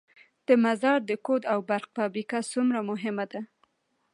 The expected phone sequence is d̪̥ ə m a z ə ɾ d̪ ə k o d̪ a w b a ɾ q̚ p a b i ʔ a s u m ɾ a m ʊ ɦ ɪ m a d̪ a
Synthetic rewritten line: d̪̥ ə m a z ɑ ɾ d̪ ə k o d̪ a w b a ɾ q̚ p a b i k a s u m ɾ a m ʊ ɦ ɪ m a d̪ a